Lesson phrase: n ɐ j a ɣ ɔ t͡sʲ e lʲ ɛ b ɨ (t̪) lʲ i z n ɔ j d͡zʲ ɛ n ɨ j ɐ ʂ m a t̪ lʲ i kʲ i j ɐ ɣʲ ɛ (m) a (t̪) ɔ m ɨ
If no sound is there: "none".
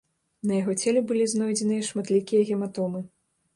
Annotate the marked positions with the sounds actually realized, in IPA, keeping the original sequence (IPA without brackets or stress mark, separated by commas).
none, m, t̪